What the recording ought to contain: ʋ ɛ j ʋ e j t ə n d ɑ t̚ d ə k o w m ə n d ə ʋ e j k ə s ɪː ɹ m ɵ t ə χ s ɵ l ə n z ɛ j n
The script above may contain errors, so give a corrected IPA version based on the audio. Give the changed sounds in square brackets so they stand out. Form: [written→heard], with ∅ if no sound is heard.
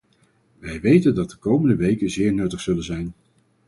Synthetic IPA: ʋ ɛ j ʋ e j t ə n d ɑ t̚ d ə k o w m ə n d ə ʋ e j k ə [s→z] ɪː ɹ [m→n] ɵ t ə χ s ɵ l ə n z ɛ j n